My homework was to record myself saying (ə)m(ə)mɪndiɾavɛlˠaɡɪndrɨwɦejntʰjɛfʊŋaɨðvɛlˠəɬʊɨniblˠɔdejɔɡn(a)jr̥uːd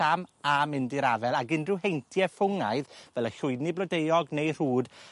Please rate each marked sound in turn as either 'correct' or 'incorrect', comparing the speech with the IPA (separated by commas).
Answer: incorrect, incorrect, incorrect